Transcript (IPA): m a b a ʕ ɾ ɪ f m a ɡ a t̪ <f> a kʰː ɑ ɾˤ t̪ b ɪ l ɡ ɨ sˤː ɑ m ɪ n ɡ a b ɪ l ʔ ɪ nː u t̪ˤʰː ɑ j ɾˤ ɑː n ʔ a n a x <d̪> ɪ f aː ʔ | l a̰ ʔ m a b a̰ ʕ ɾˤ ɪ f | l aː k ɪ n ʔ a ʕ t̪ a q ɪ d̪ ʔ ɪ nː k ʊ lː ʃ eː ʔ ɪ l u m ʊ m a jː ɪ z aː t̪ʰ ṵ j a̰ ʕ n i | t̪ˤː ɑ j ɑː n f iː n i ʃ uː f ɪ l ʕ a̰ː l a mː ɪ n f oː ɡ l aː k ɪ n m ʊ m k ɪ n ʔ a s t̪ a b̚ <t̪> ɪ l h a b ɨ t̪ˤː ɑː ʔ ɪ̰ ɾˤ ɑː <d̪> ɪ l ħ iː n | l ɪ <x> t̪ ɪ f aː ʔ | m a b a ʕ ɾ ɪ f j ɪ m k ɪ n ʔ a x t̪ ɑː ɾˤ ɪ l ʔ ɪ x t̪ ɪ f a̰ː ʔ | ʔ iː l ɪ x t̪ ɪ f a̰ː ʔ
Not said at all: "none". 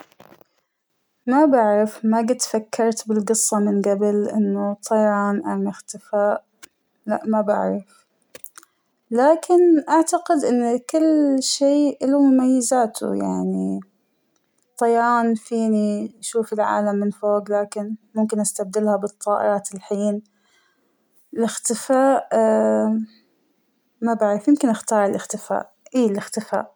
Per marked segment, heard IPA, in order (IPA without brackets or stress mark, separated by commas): f, t̪, d̪, t̪, x